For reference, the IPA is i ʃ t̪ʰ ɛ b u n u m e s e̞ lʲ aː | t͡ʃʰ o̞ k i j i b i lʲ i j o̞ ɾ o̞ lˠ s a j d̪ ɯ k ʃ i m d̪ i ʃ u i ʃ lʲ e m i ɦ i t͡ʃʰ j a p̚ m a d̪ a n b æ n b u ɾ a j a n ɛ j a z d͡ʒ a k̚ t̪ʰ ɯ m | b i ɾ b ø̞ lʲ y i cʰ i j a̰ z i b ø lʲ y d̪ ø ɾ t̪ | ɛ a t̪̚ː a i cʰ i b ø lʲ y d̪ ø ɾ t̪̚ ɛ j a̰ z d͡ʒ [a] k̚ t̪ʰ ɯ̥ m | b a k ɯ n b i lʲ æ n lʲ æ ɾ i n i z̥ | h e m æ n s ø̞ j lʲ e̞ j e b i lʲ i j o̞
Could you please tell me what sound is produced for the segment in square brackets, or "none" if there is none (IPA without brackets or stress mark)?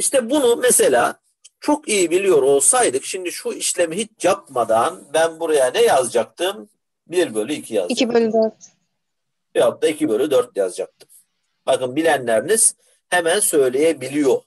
a